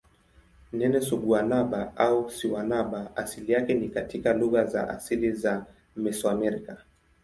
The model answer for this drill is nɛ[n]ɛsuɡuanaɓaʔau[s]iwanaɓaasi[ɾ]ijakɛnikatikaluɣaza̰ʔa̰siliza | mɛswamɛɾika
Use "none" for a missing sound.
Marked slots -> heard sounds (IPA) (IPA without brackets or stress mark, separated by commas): n, s, l